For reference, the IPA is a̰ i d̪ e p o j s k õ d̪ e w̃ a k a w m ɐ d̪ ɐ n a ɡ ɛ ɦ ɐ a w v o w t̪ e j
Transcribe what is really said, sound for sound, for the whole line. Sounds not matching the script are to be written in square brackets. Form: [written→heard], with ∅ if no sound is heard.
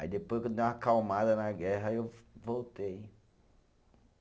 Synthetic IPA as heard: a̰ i d̪ e p o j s k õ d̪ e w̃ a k a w m [ɐ→a] d̪ ɐ n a ɡ ɛ ɦ ɐ [a→e] w v o w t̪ e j